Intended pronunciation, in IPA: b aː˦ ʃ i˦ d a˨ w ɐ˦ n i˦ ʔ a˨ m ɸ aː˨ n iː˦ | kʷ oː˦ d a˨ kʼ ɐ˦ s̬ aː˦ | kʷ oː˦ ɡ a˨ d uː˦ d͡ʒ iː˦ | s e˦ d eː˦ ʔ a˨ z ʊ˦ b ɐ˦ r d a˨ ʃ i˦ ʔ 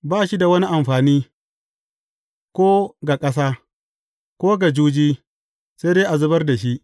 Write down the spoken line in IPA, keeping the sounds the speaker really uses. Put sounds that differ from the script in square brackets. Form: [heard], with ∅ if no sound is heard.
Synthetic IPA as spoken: b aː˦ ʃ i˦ d a˨ w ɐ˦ n i˦ ʔ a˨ m ɸ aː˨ n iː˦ | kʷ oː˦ [ɡ] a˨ kʼ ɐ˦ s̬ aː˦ | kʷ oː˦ ɡ a˨ [d͡ʒ] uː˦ d͡ʒ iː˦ | s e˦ d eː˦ ʔ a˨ z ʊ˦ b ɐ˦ r d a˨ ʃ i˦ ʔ